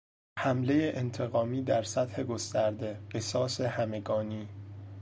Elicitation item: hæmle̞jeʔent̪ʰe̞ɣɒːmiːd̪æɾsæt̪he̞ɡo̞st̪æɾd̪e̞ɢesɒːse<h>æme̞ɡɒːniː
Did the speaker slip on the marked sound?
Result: no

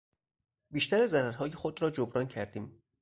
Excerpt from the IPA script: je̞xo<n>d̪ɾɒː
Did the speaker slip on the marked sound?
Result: yes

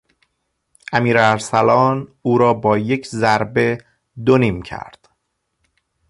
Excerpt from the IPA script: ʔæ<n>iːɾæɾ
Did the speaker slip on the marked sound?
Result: yes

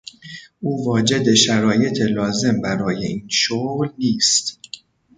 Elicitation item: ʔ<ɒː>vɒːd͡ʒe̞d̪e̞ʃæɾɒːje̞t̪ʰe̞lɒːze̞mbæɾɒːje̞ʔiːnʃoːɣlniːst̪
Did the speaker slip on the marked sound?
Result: yes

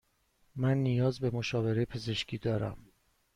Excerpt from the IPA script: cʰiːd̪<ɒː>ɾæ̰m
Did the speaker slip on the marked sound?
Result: no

